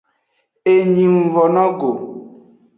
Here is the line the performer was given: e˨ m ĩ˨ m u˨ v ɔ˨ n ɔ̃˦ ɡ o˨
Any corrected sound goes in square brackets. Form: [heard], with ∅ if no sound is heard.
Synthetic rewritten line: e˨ [ɲ] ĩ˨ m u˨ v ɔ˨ n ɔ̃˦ ɡ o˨